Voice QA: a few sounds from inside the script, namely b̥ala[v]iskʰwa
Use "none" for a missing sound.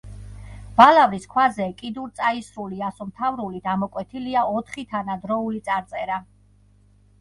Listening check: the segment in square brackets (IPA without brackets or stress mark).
v